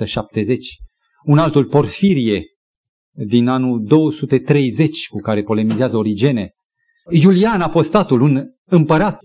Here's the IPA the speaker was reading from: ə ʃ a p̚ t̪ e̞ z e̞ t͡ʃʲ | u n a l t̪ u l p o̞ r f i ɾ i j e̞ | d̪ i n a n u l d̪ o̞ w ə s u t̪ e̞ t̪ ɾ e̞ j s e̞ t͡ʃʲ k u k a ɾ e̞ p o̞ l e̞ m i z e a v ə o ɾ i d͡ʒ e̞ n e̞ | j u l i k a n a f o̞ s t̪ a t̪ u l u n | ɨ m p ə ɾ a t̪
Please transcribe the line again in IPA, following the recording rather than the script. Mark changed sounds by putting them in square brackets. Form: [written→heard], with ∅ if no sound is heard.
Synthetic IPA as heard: ə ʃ a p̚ t̪ e̞ z e̞ t͡ʃʲ | u n a l t̪ u l p o̞ r f i ɾ i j e̞ | d̪ i n a n u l d̪ o̞ w ə s u t̪ e̞ t̪ ɾ e̞ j [s→z] e̞ t͡ʃʲ k u k a ɾ e̞ p o̞ l e̞ m i z e a [v→z] ə o ɾ i d͡ʒ e̞ n e̞ | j u l i [k→∅] a n a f o̞ s t̪ a t̪ u l u n | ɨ m p ə ɾ a t̪